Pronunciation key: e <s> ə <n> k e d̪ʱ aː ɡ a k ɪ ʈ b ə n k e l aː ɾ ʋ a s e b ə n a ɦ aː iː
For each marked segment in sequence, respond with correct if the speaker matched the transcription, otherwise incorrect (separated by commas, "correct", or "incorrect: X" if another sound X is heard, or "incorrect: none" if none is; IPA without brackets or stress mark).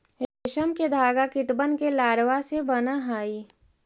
incorrect: ʃ, incorrect: m